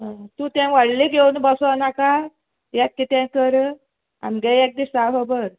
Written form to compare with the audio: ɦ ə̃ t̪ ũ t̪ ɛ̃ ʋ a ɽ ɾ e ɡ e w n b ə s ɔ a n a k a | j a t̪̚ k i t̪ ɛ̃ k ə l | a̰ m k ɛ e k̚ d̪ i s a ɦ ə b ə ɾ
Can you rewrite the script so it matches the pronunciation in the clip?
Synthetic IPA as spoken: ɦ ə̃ t̪ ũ t̪ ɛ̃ ʋ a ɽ l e ɡ e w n b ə s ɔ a n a k a | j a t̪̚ k i t̪ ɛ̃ k ə ɾ | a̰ m ɡ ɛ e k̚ d̪ i s a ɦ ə b ə ɾ